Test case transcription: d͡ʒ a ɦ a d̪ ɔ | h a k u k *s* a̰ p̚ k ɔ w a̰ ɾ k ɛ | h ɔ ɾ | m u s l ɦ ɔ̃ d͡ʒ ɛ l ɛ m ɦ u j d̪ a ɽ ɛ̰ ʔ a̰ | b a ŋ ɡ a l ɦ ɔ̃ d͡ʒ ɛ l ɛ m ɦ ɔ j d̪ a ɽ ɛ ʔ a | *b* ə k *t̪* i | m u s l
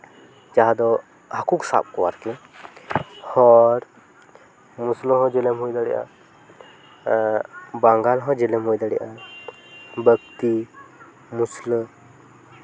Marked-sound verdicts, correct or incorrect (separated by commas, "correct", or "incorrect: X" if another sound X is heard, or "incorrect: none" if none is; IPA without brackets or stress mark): correct, correct, correct